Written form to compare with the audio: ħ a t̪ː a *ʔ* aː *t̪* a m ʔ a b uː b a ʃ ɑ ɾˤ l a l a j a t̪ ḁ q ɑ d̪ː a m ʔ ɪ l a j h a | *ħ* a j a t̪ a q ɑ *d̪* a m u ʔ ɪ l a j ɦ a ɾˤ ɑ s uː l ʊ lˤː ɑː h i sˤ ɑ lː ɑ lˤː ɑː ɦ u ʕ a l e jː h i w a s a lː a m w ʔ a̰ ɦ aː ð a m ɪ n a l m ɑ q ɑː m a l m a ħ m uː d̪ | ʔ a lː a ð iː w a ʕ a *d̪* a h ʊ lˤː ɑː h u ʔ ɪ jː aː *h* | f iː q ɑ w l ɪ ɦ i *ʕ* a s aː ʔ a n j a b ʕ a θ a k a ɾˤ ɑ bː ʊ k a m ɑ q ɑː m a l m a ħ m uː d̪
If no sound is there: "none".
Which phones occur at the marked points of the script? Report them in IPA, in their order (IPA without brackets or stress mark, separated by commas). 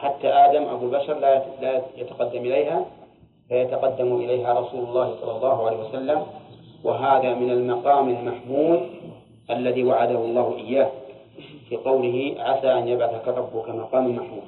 ʔ, d̪, f, d̪ː, d̪, h, ʕ